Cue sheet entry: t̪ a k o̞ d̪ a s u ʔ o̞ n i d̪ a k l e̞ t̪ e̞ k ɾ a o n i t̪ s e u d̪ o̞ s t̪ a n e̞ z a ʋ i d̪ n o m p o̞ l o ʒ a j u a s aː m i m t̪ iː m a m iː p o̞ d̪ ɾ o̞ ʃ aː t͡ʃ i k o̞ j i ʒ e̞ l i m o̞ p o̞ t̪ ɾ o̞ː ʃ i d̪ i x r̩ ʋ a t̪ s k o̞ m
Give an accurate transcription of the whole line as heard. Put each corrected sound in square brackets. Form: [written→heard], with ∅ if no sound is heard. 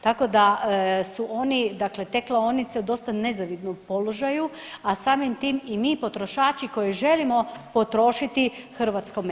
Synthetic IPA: t̪ a k o̞ d̪ a s u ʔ o̞ n i d̪ a k l e̞ t̪ e̞ k [ɾ→l] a o n i t̪ s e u d̪ o̞ s t̪ a n e̞ z a ʋ i d̪ n o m p o̞ l o ʒ a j u a s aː m i m t̪ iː m [a→i] m iː p o̞ [d̪→t̪] ɾ o̞ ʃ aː t͡ʃ i k o̞ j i ʒ e̞ l i m o̞ p o̞ t̪ ɾ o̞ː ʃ i [d̪→t̪] i x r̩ ʋ a t̪ s k o̞ m